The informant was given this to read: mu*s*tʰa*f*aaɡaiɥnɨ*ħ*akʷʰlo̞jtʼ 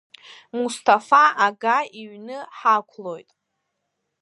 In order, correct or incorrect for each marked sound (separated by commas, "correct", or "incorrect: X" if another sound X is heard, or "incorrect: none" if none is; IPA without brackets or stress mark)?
correct, correct, correct